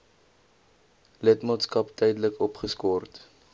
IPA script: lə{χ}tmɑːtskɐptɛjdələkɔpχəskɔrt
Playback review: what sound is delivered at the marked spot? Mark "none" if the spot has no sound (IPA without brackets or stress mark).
none